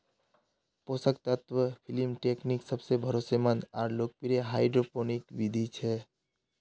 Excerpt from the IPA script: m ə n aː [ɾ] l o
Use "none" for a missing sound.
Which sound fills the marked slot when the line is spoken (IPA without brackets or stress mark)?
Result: ɾ